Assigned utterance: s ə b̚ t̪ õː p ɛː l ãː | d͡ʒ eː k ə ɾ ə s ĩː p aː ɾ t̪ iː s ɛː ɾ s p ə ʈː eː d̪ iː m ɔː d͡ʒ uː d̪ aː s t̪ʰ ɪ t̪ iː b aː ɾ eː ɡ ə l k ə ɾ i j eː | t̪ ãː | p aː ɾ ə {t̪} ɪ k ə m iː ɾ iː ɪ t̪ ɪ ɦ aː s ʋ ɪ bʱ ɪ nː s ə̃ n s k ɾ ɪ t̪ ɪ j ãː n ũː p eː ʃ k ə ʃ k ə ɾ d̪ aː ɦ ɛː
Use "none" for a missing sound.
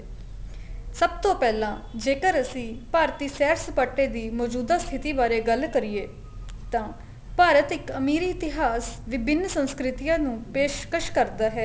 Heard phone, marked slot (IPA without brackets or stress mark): t̪